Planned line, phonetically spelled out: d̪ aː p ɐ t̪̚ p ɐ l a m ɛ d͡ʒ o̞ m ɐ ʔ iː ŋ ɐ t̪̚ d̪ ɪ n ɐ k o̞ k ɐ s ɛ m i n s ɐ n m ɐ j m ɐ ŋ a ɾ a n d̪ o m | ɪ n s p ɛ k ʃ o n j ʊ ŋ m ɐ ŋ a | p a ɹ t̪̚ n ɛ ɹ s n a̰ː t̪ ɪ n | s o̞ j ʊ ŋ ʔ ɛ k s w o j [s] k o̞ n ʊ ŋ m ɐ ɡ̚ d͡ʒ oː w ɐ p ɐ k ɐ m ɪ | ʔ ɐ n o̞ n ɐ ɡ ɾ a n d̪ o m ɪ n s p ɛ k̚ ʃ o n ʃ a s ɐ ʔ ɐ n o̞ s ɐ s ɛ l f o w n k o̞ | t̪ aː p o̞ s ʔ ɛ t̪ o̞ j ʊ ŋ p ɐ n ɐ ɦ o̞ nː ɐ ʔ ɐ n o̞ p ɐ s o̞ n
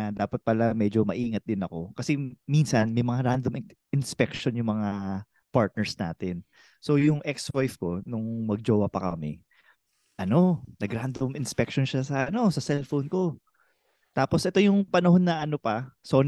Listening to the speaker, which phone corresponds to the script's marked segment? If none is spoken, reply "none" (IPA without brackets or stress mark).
f